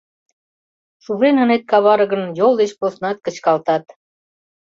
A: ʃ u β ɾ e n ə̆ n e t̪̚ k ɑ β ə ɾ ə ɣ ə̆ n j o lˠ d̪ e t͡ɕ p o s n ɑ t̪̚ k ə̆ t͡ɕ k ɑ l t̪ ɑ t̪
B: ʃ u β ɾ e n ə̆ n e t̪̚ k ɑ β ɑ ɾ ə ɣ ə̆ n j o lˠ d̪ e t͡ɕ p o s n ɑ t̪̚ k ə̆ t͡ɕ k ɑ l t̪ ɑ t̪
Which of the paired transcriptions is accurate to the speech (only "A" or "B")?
B